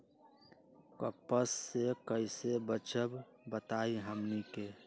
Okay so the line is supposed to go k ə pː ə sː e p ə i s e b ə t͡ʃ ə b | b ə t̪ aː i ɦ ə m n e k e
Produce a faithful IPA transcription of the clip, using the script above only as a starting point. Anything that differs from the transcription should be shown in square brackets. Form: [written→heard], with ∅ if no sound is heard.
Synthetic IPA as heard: k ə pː ə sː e [p→k] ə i s e b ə t͡ʃ ə b | b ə t̪ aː i ɦ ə m n [e→i] k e